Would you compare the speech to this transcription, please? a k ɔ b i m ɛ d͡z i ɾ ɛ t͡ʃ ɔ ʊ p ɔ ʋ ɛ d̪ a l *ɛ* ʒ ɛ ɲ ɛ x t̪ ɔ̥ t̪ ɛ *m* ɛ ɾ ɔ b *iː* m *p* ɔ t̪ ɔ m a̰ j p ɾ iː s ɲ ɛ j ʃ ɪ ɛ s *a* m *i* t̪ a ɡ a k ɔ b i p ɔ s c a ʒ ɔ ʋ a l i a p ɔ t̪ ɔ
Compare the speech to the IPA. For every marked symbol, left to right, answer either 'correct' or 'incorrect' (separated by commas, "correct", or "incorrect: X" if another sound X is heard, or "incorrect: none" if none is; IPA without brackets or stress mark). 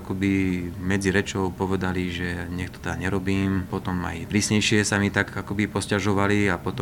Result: incorrect: i, incorrect: ɲ, correct, correct, correct, correct